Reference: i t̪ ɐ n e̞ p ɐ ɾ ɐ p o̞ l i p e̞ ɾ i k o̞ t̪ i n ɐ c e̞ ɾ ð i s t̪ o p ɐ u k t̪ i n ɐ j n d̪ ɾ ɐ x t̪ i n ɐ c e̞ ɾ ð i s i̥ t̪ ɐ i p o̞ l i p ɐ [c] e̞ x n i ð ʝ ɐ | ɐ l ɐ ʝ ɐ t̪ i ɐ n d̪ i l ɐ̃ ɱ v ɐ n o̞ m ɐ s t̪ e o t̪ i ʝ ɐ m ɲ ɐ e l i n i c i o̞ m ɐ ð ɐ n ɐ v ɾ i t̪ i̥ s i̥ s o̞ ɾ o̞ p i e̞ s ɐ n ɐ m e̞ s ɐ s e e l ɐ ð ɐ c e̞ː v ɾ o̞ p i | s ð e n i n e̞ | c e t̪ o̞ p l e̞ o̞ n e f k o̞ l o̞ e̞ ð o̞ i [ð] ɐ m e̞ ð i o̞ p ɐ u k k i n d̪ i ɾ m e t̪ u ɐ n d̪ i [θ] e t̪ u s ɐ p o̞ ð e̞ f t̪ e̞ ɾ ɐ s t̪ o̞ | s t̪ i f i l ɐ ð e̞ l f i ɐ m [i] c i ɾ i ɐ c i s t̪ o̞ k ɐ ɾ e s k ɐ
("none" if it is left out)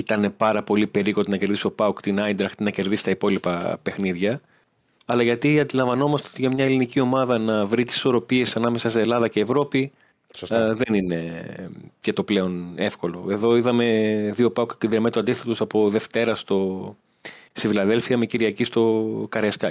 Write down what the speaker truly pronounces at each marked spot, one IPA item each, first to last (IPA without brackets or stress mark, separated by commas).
p, ð, θ, e